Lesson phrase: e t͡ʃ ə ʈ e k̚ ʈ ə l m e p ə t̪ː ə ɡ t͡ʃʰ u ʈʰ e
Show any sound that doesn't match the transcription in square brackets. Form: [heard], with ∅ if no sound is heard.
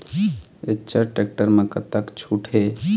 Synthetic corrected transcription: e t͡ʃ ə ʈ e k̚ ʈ ə [ɾ] m e [k] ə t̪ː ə [k] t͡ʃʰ u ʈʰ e